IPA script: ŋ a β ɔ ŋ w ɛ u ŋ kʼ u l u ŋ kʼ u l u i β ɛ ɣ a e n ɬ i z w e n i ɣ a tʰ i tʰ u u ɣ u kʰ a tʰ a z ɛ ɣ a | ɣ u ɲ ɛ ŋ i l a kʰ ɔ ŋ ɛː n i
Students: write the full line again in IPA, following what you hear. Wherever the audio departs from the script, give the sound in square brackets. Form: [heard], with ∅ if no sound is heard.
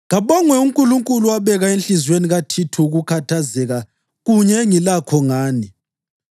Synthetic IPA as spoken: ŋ a β ɔ ŋ w ɛ u ŋ kʼ u l u ŋ kʼ u l u [a] β ɛ ɣ a e n ɬ i z w e n i ɣ a tʰ i tʰ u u ɣ u kʰ a tʰ a z ɛ ɣ a | ɣ u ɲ ɛ ŋ i l a kʰ ɔ ŋ [aː] n i